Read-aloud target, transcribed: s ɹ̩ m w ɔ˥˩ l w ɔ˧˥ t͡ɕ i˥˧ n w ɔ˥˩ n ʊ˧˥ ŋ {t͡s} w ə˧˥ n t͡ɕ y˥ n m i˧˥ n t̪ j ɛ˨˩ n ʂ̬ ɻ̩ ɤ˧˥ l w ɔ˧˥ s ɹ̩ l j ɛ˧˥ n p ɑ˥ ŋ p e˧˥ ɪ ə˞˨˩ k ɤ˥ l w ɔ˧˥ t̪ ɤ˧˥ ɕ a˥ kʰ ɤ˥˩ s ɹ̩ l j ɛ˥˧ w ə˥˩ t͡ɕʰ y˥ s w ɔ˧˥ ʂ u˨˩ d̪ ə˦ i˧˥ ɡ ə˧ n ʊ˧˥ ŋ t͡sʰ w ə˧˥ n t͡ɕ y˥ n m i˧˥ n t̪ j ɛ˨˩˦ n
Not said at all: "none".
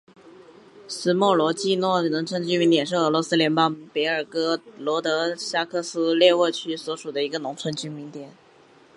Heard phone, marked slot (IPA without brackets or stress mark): t͡sʰ